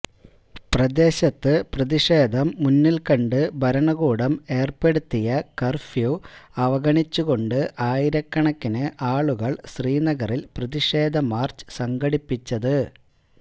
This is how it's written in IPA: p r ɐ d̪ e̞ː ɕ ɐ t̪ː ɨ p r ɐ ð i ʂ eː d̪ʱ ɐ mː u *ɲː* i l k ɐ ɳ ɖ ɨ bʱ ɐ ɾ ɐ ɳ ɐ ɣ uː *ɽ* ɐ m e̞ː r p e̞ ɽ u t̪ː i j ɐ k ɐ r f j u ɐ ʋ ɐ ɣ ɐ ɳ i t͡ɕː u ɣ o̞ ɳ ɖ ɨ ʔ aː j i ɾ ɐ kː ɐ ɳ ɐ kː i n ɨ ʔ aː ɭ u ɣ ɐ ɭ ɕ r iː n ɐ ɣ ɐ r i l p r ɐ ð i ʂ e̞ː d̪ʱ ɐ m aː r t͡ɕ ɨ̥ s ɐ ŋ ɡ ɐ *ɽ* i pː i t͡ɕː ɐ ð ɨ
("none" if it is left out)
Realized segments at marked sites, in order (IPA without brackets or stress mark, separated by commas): nː, ɽ, ɽ